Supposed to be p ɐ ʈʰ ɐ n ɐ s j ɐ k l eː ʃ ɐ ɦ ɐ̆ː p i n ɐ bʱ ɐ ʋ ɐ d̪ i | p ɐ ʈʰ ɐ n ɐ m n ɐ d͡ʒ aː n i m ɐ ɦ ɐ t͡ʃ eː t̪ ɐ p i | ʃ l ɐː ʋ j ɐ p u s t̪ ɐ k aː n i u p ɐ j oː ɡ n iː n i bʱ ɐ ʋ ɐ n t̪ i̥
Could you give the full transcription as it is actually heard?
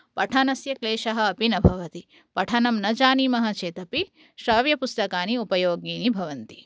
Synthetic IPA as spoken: p ɐ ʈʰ ɐ n ɐ s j ɐ k l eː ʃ ɐ ɦ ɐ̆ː p i n ɐ bʱ ɐ ʋ ɐ t̪ i | p ɐ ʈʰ ɐ n ɐ m n ɐ d͡ʒ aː n i m ɐ ɦ ɐ t͡ʃ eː t̪ ɐ p i | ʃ ɾ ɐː ʋ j ɐ p u s t̪ ɐ k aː n i u p ɐ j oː ɡ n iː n i bʱ ɐ ʋ ɐ n t̪ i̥